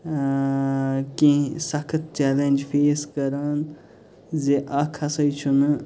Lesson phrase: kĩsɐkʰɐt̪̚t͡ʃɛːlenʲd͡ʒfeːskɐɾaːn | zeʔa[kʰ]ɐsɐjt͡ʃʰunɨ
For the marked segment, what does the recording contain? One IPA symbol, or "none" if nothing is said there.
kʰ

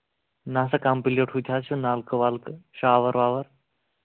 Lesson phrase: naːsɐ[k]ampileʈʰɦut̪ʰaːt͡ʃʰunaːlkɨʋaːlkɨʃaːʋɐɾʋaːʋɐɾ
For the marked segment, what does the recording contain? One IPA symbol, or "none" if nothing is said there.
k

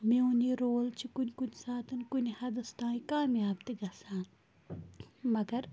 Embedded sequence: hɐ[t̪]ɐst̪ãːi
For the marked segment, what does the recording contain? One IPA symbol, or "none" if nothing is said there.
d̪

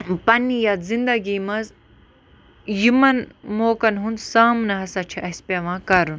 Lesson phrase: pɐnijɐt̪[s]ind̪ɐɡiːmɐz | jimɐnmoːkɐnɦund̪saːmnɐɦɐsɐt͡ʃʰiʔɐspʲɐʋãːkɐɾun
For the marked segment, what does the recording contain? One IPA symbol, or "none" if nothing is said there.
z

